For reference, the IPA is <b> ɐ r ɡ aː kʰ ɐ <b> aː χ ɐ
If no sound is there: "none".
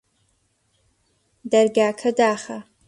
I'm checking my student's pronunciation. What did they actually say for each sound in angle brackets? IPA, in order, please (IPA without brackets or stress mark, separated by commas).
d, d